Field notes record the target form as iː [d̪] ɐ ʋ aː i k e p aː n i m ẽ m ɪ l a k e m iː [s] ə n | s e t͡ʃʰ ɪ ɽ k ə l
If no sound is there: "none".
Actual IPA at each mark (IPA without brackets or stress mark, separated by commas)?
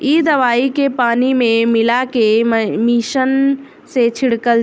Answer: d̪, ʃ